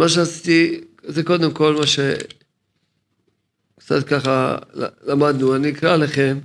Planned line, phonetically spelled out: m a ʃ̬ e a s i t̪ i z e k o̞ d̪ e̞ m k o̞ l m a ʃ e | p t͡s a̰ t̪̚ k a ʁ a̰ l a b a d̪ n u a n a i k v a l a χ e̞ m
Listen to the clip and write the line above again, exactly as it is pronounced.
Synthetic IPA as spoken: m a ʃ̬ e a s i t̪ i z e k o̞ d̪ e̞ m k o̞ l m a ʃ e | k t͡s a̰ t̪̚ k a χ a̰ l a m a d̪ n u a n i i k ʁ a l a χ e̞ m